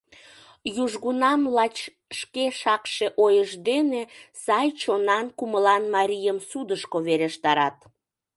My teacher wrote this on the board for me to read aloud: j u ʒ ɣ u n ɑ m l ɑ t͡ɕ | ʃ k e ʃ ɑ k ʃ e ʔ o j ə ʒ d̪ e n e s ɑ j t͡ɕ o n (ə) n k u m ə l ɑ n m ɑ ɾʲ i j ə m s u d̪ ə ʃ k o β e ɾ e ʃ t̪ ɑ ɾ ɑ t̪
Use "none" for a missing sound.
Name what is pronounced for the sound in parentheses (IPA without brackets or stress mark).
ɑ